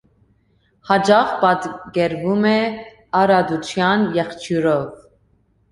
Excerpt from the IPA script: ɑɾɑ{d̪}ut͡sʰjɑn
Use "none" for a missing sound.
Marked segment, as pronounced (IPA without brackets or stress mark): d̪